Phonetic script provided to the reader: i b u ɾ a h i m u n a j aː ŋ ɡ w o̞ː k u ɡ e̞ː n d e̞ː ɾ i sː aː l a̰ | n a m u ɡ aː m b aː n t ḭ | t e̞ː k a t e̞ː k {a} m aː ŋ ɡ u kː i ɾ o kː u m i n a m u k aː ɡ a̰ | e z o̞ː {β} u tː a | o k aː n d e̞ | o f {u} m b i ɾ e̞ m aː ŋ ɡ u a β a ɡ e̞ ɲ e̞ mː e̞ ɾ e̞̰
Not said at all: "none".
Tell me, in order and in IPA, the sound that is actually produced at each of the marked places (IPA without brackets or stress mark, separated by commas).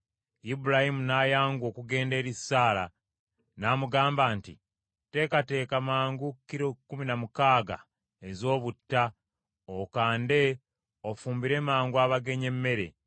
a, β, uː